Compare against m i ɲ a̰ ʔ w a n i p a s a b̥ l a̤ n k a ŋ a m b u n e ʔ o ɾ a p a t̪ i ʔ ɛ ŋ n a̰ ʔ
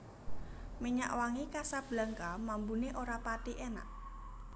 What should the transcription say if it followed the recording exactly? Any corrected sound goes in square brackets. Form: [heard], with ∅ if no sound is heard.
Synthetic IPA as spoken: m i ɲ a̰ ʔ w a [ŋ] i [k] a s a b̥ l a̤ [ŋ] k a [m] a m b u n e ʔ o ɾ a p a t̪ i ʔ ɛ [∅] n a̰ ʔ